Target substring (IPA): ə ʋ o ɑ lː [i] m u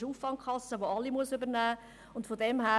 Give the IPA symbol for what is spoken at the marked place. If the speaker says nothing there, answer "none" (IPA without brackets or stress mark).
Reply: i